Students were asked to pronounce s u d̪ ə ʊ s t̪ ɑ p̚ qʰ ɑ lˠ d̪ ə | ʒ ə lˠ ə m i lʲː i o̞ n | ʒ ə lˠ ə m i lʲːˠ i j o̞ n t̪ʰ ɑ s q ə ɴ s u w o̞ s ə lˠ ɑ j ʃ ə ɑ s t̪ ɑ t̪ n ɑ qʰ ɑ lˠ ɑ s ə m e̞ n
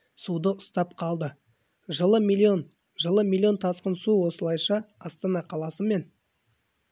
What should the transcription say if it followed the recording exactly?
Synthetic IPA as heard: s u d̪ ə ʊ s t̪ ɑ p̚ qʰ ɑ lˠ d̪ ə | ʒ ə lˠ ə m i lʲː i o̞ n | ʒ ə lˠ ə m i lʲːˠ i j o̞ n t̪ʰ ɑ s q ə n s u w o̞ s ə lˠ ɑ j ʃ ɑ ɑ s t̪ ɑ n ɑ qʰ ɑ lˠ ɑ s ə m e̞ n